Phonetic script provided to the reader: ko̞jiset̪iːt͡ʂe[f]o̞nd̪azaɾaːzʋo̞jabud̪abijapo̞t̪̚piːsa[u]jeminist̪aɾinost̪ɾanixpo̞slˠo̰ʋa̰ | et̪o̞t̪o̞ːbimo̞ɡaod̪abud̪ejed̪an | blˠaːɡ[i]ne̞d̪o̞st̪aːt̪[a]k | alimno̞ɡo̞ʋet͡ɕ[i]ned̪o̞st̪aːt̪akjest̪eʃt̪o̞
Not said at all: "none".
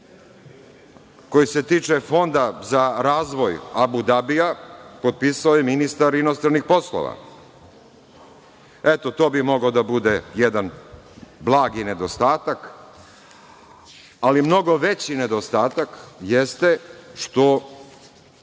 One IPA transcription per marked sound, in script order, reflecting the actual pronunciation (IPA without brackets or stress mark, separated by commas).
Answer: f, o, i, a, i